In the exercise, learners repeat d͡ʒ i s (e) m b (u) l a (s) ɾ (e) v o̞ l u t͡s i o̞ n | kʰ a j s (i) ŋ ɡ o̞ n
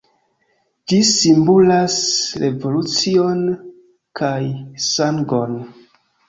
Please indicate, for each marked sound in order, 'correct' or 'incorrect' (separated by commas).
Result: incorrect, correct, correct, correct, incorrect